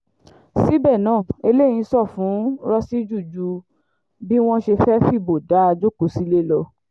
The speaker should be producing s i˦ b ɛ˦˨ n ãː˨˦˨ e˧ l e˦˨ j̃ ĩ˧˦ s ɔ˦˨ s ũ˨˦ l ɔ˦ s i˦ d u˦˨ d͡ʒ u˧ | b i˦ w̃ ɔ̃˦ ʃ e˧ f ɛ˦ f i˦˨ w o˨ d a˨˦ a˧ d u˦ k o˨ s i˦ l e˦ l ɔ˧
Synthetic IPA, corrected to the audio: s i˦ b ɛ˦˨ n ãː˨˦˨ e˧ l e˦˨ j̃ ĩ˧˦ s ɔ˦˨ f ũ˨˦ ɾ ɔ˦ s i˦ d͡ʒ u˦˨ d͡ʒ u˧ | b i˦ w̃ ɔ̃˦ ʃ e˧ f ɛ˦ f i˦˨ b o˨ d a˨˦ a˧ d͡ʒ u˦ k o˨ s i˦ l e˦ l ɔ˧

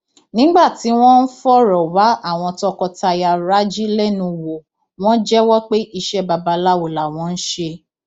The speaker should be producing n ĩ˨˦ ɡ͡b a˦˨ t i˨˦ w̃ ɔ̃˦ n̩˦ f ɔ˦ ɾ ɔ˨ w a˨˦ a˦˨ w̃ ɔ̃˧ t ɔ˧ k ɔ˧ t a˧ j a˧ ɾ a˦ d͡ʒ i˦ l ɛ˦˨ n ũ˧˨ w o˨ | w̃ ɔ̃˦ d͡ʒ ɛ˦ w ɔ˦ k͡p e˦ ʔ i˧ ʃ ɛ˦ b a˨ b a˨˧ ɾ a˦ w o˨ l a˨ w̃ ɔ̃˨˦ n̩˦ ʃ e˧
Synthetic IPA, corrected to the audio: n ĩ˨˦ ɡ͡b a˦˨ t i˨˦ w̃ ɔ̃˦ n̩˦ f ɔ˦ ɾ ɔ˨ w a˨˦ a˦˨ w̃ ɔ̃˧ t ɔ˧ k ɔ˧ t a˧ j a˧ ɾ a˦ d͡ʒ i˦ l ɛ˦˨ n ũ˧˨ w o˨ | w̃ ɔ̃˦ d͡ʒ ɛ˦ w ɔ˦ k͡p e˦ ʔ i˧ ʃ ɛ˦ b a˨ b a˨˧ l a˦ w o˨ l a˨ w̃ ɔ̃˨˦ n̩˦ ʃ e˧

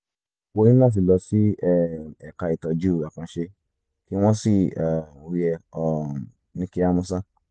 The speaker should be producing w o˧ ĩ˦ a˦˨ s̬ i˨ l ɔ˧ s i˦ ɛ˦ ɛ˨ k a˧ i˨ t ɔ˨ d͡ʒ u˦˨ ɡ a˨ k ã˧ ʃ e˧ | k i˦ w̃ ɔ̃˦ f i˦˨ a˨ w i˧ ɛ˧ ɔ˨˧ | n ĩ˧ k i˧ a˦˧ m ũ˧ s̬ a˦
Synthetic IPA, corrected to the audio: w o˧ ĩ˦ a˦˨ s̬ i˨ l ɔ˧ s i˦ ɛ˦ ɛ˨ k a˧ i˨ t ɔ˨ d͡ʒ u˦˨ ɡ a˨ k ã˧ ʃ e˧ | k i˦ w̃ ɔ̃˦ s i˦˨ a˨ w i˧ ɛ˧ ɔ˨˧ | n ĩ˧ k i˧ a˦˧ m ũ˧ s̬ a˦

